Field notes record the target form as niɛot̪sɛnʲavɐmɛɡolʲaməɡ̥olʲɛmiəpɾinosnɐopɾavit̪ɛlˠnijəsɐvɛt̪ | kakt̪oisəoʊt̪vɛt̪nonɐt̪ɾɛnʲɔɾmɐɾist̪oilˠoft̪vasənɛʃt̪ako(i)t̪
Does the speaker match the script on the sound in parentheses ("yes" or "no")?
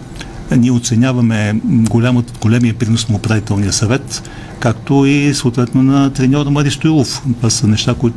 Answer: yes